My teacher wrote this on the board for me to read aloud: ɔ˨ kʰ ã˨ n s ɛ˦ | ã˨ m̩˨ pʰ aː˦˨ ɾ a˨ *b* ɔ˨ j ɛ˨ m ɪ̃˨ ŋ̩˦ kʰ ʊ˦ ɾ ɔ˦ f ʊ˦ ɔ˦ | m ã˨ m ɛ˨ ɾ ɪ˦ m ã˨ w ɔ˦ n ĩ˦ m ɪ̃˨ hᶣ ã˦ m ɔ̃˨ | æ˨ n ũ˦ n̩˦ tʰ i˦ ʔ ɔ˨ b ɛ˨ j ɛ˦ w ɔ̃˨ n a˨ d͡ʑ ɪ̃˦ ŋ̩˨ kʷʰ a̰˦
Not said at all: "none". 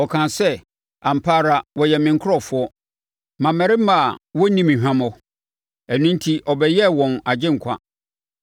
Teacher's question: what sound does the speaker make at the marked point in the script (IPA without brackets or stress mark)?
w